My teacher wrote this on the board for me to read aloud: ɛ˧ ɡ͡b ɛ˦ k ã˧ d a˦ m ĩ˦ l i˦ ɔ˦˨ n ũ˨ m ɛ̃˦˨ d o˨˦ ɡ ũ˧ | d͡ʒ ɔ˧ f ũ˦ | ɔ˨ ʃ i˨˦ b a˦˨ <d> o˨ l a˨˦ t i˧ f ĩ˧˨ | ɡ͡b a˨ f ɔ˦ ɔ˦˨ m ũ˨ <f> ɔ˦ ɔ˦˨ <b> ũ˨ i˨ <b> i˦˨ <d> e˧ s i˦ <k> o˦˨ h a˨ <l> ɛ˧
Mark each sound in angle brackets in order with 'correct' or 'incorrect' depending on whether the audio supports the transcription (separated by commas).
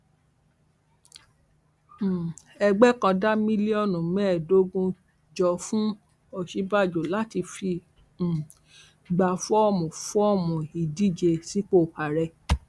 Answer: incorrect, correct, incorrect, incorrect, incorrect, incorrect, incorrect